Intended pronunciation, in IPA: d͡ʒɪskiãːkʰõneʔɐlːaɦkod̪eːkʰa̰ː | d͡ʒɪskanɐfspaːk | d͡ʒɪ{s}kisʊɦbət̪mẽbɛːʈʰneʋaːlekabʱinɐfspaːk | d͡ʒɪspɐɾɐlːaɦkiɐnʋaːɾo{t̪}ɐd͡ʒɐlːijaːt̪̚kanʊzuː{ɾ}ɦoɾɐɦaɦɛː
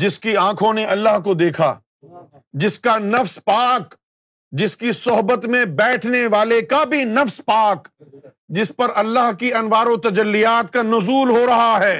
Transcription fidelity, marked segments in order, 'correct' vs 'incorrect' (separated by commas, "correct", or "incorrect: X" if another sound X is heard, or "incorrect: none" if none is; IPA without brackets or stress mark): correct, correct, incorrect: l